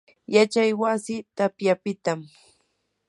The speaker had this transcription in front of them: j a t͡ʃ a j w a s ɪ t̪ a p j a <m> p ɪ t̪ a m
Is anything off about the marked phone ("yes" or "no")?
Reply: yes